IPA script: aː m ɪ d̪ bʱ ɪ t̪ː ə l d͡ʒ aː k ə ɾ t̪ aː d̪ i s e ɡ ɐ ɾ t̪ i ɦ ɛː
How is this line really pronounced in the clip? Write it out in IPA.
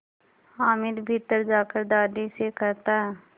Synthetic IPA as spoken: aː m ɪ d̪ bʱ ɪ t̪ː ə ɾ d͡ʒ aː k ə ɾ d̪ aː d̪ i s e k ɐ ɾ t̪ a ɦ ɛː